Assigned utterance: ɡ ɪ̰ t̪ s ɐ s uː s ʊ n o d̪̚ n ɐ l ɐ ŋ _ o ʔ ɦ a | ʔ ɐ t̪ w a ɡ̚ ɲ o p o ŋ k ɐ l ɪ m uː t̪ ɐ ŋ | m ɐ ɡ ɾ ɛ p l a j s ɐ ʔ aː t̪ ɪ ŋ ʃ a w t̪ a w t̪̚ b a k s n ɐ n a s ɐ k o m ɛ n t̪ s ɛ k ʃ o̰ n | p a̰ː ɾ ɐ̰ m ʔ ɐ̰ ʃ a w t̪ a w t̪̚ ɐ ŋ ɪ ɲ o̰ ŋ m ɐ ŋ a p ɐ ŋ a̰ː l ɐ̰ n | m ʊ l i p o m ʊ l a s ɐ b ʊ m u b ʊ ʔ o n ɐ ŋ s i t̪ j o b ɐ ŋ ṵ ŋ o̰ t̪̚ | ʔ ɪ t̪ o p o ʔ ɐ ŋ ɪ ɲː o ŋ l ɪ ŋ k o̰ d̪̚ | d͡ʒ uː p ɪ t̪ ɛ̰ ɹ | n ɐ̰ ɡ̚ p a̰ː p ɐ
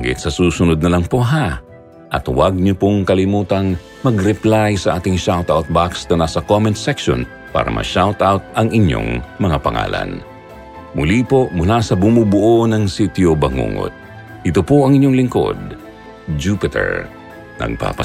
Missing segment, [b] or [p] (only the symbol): p